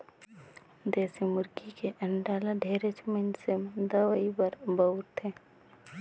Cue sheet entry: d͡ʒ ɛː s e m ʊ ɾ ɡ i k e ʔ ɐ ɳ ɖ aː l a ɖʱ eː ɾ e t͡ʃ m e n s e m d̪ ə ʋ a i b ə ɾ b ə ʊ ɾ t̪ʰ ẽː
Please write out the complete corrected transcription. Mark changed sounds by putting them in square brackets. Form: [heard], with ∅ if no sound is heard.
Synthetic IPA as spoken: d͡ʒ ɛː s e m ʊ ɾ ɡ i k e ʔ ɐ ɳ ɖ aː l a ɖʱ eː ɾ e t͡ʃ m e n s e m d̪ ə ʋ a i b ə ɾ b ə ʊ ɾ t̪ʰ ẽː